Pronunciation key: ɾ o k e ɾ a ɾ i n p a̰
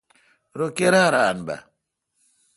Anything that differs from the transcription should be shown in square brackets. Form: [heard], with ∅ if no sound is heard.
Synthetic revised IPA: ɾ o k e ɾ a ɾ [a] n [b] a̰